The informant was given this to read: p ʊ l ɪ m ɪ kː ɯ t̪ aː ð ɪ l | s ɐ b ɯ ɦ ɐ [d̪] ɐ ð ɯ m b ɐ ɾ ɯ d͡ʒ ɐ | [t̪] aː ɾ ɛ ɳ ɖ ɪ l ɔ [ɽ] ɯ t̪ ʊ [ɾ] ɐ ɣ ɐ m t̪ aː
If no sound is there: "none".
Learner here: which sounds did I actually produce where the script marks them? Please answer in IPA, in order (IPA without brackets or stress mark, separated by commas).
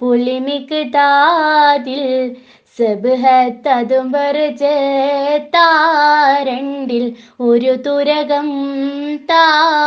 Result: t̪, t̪, ɾ, ɾ